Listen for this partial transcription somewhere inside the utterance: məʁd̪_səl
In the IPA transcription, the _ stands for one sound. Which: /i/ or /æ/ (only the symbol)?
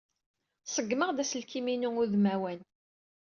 æ